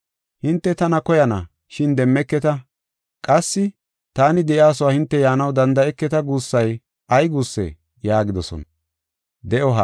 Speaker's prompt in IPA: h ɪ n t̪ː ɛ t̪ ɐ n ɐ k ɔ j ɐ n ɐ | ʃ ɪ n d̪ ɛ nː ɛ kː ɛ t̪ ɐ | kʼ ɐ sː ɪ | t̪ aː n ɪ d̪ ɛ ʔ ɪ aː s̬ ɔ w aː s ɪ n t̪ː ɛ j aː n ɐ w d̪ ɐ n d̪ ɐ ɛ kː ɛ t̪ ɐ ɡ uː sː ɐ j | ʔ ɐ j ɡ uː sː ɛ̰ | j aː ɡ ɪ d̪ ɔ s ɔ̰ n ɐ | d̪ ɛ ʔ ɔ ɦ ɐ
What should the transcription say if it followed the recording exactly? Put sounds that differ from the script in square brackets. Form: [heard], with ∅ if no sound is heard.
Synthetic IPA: h ɪ n t̪ː ɛ t̪ ɐ n ɐ k ɔ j ɐ n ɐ | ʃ ɪ n d̪ ɛ [mː] ɛ kː ɛ t̪ ɐ | kʼ ɐ sː ɪ | t̪ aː n ɪ d̪ ɛ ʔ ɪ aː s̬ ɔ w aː [h] ɪ n t̪ː ɛ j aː n ɐ w d̪ ɐ n d̪ ɐ ɛ kː ɛ t̪ ɐ ɡ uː sː ɐ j | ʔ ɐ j ɡ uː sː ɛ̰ | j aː ɡ ɪ d̪ ɔ s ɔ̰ n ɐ | d̪ ɛ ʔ ɔ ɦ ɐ

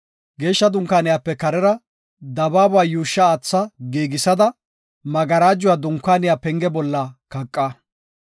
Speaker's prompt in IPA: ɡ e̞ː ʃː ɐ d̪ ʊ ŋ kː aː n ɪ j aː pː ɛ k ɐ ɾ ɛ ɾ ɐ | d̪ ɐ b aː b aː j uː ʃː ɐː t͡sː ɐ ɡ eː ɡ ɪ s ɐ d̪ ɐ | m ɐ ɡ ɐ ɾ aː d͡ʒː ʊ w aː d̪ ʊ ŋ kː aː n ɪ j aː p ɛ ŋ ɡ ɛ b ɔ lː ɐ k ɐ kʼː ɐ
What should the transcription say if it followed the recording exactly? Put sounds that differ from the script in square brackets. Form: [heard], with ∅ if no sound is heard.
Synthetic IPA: ɡ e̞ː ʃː ɐ d̪ ʊ ŋ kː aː n ɪ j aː pː ɛ k ɐ ɾ ɛ ɾ ɐ | d̪ ɐ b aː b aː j uː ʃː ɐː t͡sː ɐ ɡ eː ɡ ɪ s ɐ d̪ ɐ | m ɐ ɡ ɐ ɾ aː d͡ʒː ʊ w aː d̪ ʊ ŋ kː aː n ɪ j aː p ɛ ŋ ɡ ɛ b ɔ lː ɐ k ɐ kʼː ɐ

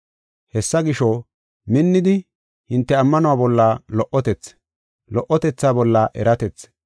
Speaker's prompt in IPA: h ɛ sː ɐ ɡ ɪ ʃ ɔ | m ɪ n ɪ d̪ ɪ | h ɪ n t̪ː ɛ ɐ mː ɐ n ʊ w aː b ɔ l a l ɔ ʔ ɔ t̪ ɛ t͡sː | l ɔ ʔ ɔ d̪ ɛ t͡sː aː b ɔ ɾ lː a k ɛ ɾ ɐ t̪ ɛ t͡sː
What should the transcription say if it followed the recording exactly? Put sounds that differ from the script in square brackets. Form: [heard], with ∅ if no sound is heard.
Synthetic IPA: h ɛ sː ɐ ɡ ɪ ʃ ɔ | m ɪ [nː] ɪ d̪ ɪ | h ɪ n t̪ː ɛ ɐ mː ɐ n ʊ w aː b ɔ [lː] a l ɔ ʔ ɔ t̪ ɛ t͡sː | l ɔ ʔ ɔ [t̪] ɛ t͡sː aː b ɔ [∅] lː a [ʔ] ɛ ɾ ɐ t̪ ɛ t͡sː

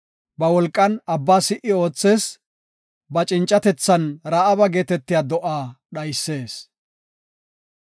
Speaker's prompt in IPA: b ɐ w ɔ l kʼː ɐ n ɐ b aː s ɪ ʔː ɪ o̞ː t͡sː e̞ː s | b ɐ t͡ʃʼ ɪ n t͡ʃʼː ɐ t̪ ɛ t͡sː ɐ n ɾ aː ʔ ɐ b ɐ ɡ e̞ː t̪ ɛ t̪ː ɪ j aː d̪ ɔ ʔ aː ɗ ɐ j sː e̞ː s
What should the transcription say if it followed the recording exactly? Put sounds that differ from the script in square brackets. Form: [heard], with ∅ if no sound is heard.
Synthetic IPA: b ɐ w ɔ l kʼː ɐ n ɐ [bː] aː s ɪ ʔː ɪ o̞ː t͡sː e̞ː s | b ɐ t͡ʃʼ ɪ n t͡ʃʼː ɐ t̪ ɛ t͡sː ɐ n ɾ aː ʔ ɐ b ɐ ɡ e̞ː t̪ ɛ t̪ː ɪ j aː d̪ ɔ ʔ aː ɗ ɐ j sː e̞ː s

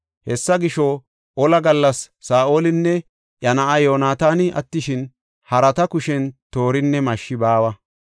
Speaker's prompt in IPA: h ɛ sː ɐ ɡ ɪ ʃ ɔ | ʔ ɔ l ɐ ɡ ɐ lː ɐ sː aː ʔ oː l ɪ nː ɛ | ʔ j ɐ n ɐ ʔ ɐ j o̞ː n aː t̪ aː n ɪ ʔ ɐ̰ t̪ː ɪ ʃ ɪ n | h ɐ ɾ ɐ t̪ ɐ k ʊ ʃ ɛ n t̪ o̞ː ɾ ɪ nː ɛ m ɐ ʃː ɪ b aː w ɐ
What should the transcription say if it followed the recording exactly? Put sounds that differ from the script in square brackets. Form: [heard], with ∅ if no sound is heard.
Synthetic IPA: h ɛ sː ɐ ɡ ɪ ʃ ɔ | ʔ ɔ l ɐ ɡ ɐ lː ɐ sː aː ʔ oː l ɪ nː ɛ | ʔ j ɐ n ɐ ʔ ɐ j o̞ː n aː t̪ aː n ɪ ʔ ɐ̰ t̪ː ɪ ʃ ɪ n | h ɐ ɾ ɐ t̪ ɐ k ʊ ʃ ɛ n t̪ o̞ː ɾ ɪ nː ɛ m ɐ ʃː ɪ b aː w ɐ

